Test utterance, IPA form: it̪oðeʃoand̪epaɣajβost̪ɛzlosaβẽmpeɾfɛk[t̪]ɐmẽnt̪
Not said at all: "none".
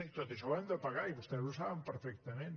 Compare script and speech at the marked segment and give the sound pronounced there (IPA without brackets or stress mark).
t̪